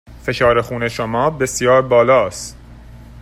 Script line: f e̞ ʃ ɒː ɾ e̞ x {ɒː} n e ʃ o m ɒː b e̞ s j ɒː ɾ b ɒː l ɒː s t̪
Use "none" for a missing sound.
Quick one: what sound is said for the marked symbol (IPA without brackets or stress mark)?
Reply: uː